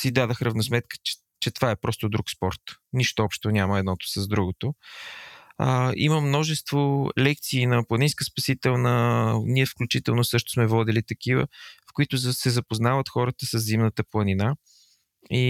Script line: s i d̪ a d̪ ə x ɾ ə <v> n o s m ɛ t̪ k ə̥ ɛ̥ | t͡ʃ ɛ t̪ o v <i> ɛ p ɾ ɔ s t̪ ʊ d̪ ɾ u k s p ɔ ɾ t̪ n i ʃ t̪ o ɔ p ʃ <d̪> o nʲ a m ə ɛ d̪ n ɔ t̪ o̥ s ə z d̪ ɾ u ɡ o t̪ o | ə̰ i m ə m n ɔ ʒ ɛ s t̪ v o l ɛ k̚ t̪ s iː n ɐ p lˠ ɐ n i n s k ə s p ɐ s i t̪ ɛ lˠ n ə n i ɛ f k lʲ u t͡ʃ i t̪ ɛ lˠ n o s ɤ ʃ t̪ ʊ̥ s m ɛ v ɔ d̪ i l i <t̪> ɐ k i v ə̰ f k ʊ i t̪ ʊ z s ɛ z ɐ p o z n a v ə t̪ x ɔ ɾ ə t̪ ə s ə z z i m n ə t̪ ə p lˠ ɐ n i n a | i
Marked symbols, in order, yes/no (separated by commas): yes, no, no, yes